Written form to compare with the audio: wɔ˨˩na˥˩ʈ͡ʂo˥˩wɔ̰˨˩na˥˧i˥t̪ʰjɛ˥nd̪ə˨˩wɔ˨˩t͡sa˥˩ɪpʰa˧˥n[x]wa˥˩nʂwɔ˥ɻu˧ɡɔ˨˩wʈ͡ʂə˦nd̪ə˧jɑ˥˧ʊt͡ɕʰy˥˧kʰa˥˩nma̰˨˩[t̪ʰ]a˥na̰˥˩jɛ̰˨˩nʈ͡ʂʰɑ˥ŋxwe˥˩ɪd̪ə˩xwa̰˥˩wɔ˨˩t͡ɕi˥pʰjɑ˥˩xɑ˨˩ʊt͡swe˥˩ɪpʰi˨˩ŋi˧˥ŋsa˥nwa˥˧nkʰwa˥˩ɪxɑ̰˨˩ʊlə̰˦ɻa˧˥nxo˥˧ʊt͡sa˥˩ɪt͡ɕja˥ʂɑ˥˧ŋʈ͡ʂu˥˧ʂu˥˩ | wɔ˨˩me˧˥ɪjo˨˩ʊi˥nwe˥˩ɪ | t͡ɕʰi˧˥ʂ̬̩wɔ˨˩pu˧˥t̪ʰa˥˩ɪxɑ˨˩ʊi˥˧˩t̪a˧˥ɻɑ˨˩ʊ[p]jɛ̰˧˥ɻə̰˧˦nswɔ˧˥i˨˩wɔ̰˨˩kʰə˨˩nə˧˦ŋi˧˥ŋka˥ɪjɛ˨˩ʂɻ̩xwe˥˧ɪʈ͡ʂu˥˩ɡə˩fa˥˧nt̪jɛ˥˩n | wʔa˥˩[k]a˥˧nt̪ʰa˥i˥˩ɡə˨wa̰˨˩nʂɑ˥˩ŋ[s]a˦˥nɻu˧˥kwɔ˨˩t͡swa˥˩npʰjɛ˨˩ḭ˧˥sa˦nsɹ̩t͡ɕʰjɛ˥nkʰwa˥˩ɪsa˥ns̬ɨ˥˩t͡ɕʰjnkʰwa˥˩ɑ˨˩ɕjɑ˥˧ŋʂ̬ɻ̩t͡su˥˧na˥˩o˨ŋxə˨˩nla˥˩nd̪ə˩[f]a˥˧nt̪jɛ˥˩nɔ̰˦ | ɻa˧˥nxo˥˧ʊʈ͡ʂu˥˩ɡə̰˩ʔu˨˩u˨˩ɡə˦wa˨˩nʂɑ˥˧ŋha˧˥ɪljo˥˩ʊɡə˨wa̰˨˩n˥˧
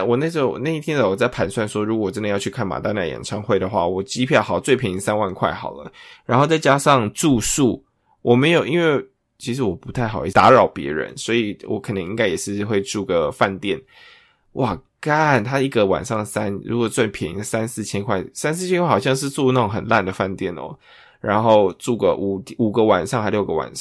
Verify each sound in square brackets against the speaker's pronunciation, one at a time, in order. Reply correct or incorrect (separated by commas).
incorrect, incorrect, correct, correct, correct, correct